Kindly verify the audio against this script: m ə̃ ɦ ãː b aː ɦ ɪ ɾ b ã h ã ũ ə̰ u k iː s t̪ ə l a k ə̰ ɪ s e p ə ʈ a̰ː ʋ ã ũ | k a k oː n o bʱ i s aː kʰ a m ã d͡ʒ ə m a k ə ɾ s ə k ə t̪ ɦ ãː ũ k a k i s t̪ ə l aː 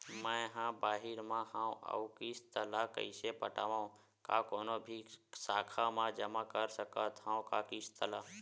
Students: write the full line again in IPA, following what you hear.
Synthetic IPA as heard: m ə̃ ɦ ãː b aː ɦ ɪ ɾ m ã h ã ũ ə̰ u k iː s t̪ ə l a k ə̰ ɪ s e p ə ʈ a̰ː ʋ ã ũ | k a k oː n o bʱ i s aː kʰ a m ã d͡ʒ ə m a k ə ɾ s ə k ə t̪ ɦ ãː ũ k a k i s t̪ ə l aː